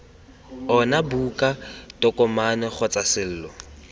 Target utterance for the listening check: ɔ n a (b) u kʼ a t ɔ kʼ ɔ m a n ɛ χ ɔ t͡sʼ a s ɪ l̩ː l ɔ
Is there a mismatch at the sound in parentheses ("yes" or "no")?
no